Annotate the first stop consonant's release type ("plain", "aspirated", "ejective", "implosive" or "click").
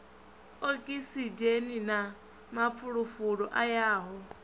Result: ejective